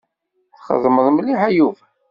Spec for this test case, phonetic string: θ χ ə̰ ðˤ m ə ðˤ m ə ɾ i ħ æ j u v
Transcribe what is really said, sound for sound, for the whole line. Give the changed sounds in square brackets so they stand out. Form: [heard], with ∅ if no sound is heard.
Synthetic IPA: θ χ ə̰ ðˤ m ə ðˤ m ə [l] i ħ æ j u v